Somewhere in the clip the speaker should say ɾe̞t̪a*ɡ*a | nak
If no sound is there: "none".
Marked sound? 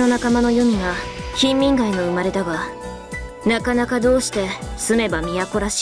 ɡ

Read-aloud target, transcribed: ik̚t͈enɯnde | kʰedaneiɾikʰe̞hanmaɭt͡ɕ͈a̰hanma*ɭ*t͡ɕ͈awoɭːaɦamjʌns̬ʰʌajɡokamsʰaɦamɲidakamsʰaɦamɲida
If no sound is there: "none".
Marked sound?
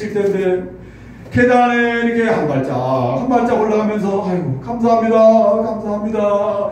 ɭ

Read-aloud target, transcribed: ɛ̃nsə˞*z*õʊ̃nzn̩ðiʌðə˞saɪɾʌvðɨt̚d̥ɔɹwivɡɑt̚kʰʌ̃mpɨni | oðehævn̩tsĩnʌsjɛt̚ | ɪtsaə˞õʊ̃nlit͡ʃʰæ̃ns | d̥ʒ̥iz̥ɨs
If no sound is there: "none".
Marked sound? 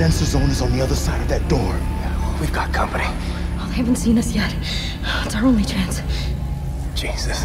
z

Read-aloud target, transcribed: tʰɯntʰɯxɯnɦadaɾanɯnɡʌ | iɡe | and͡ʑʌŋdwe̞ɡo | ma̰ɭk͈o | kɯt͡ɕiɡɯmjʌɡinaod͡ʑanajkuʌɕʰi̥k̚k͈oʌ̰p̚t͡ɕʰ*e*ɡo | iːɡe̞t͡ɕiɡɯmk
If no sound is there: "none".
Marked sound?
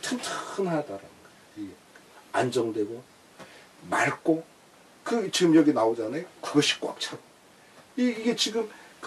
a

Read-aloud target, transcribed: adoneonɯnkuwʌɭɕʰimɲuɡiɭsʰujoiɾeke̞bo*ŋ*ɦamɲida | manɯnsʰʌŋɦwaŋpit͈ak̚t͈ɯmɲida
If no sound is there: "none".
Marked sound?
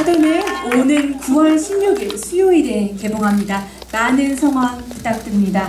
ŋ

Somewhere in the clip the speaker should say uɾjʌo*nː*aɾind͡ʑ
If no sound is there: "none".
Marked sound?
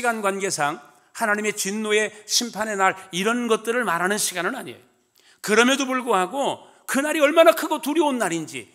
nː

